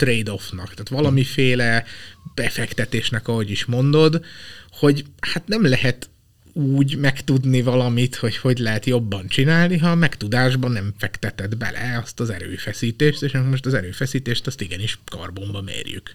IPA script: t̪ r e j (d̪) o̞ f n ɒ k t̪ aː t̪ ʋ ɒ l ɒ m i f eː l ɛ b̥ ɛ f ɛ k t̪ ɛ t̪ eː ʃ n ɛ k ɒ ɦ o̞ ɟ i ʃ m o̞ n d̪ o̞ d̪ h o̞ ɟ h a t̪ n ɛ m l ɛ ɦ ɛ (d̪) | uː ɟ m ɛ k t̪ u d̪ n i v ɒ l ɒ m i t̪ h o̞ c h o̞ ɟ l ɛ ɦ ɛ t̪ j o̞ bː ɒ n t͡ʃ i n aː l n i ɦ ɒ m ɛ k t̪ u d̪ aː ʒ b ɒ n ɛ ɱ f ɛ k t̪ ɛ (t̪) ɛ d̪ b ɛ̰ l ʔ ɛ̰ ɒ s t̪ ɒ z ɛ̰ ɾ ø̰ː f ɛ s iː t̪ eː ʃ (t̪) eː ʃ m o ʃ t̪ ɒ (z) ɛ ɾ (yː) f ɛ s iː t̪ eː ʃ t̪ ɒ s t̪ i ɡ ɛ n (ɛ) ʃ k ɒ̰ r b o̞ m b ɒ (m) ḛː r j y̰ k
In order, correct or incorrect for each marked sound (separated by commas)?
correct, incorrect, correct, correct, correct, incorrect, incorrect, correct